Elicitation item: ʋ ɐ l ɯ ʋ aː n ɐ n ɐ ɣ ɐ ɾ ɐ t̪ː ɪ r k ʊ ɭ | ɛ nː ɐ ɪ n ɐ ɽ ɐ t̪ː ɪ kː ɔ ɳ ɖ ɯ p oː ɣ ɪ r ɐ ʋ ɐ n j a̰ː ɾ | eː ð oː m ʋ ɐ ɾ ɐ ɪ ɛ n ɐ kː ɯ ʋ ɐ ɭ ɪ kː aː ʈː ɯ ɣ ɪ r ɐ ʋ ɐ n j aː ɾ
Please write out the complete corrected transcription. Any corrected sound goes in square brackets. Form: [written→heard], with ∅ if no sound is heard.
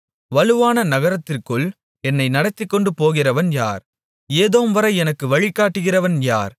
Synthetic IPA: ʋ ɐ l ɯ ʋ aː n ɐ n ɐ ɣ ɐ ɾ ɐ t̪ː ɪ r k [ʊ→ɯ] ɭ | ɛ nː ɐ ɪ n ɐ ɽ ɐ t̪ː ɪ kː ɔ ɳ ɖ ɯ p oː ɣ ɪ r ɐ ʋ ɐ n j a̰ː ɾ | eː ð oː m ʋ ɐ ɾ ɐ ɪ ɛ n ɐ kː ɯ ʋ ɐ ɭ ɪ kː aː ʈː ɯ ɣ ɪ r ɐ ʋ ɐ n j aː ɾ